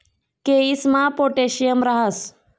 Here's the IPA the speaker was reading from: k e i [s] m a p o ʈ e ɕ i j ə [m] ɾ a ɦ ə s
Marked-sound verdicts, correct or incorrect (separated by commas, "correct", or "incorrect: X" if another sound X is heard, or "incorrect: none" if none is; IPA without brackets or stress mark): correct, correct